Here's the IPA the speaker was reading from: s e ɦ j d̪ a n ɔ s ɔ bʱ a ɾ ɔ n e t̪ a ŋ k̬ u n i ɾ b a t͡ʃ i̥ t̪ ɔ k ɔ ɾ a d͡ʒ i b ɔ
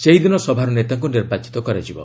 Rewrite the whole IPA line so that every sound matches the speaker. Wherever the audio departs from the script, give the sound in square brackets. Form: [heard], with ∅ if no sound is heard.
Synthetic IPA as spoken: s e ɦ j d̪ [i] n ɔ s ɔ bʱ a ɾ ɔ n e t̪ a ŋ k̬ u n i ɾ b a t͡ʃ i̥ t̪ ɔ k ɔ ɾ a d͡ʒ i b ɔ